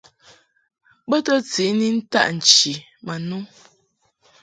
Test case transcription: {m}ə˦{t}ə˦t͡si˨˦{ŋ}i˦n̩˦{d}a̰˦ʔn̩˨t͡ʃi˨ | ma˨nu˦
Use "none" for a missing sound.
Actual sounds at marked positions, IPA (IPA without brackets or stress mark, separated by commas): b, t, n, t